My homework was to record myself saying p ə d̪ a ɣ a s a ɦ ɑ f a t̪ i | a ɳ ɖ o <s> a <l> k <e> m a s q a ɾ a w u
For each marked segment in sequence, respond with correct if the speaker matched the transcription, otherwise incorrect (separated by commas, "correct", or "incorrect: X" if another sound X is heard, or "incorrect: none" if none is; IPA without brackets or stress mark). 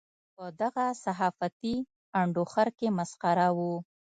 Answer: incorrect: x, incorrect: ɾ, correct